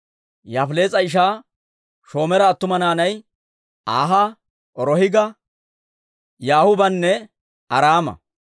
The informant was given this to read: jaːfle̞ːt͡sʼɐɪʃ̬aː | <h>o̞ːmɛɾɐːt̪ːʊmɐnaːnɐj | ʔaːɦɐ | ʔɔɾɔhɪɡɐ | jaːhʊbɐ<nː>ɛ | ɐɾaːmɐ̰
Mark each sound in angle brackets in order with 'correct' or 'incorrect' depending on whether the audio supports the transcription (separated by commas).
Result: incorrect, correct